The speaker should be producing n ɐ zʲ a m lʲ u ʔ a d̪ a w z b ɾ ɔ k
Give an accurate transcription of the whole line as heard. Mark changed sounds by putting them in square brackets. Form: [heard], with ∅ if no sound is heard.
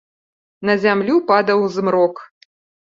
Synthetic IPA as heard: n ɐ zʲ a m lʲ u [p] a d̪ [ɐ] w z [m] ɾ ɔ k